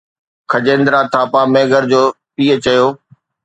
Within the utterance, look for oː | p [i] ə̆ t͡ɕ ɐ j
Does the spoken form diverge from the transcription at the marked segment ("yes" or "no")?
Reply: yes